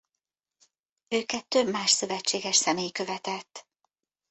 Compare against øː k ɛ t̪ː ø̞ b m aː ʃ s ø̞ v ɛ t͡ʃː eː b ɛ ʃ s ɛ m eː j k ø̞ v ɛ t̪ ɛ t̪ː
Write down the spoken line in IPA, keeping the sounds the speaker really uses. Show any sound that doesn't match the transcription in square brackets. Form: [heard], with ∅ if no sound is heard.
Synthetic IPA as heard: øː k ɛ t̪ː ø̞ b m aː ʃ s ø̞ v ɛ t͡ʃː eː [ɡ] ɛ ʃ s ɛ m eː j k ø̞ v ɛ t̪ ɛ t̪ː